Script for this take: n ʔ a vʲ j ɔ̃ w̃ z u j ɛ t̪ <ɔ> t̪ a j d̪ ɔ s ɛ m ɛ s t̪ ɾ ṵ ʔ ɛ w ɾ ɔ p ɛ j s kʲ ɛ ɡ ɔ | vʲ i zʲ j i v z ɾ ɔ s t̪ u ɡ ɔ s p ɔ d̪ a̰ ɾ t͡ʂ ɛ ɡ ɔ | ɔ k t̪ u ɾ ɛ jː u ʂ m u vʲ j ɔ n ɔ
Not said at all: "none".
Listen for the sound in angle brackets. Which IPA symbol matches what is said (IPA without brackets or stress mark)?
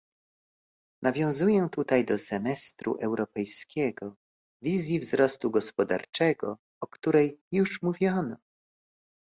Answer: u